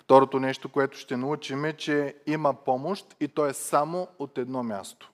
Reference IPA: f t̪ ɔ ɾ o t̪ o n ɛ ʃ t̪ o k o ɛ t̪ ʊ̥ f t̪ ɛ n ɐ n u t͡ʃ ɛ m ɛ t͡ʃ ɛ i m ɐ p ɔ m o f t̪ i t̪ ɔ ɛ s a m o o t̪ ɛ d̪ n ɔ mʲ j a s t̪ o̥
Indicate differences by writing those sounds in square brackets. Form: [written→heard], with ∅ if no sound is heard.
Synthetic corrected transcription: f t̪ ɔ ɾ o t̪ o n ɛ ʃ t̪ o k o ɛ t̪ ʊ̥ [f→ʃ] t̪ ɛ n ɐ [n→∅] u t͡ʃ [ɛ→i] m ɛ t͡ʃ ɛ i m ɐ p ɔ m o [f→ʃ] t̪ i t̪ ɔ ɛ s a m o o t̪ ɛ d̪ n ɔ mʲ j a s t̪ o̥